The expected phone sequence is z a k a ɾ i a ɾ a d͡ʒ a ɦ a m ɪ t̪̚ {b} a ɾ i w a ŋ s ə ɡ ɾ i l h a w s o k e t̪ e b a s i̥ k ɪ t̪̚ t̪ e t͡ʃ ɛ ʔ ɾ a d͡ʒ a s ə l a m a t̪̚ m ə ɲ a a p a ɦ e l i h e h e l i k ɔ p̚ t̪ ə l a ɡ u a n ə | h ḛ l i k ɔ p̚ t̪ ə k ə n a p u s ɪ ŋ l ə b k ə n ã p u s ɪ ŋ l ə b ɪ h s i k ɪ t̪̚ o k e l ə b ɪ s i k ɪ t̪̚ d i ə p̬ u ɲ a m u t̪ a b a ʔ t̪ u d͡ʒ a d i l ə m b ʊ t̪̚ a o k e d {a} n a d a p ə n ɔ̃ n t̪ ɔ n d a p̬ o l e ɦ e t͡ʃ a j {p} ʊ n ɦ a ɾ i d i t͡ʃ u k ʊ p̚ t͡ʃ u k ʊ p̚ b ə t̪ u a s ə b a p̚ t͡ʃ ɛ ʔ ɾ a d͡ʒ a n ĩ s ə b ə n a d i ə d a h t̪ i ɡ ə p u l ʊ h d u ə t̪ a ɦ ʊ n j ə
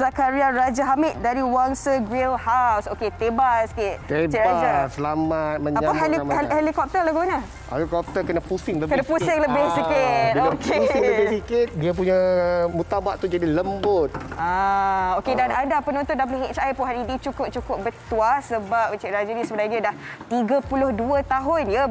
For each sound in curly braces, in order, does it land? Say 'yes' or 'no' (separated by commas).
no, yes, yes